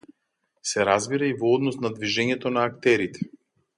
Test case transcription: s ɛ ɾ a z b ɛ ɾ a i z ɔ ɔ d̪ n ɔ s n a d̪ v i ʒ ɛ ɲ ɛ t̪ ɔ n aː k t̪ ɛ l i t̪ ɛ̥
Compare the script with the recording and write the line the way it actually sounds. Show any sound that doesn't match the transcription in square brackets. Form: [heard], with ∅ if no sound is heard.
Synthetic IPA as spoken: s ɛ ɾ a z b [i] ɾ a i [v] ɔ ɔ d̪ n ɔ s n a d̪ v i ʒ ɛ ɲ ɛ t̪ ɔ n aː k t̪ ɛ [ɾ] i t̪ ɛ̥